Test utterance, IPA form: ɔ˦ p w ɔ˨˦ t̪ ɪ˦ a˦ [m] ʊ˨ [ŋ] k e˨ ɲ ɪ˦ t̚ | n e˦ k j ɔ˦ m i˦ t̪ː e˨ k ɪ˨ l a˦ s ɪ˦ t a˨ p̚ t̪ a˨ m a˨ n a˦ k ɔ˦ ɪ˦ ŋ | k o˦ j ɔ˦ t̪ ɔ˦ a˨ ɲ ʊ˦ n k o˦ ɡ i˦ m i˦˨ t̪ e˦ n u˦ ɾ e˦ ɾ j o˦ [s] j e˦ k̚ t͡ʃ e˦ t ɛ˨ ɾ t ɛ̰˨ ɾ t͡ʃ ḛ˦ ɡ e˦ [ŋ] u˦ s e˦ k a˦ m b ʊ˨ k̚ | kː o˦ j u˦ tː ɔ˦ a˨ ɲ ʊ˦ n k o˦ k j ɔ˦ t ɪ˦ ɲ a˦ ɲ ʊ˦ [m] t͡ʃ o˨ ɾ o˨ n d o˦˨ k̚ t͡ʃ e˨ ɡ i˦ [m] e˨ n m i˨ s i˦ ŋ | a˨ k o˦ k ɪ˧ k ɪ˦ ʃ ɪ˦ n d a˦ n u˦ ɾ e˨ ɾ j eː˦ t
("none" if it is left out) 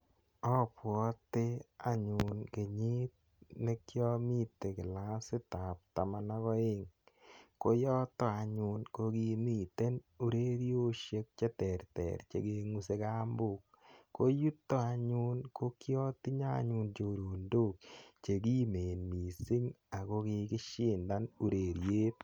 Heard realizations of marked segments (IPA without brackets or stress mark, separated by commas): ɲ, n, ʃ, ŋ, n, m